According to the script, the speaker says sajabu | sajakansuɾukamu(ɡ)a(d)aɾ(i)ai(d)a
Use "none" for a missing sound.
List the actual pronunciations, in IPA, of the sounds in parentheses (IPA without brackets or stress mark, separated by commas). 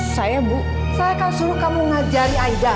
ŋ, d͡ʒ, i, d